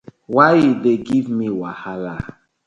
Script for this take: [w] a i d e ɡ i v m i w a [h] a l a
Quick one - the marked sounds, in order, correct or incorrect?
correct, correct

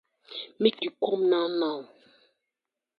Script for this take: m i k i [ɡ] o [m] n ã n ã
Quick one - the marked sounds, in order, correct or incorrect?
incorrect: k, correct

